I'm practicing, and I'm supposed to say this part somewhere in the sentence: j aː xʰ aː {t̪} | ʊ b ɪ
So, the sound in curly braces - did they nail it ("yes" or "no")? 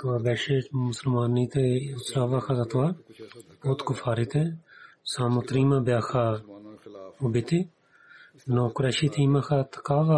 no